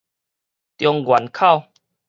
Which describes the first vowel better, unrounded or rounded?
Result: rounded